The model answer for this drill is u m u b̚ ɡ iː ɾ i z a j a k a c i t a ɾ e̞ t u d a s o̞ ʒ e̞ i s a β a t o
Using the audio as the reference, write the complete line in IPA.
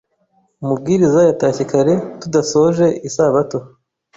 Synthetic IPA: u m u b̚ ɡ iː ɾ i z a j a t a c i k a ɾ e̞ t u d a s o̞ ʒ e̞ i s a β a t o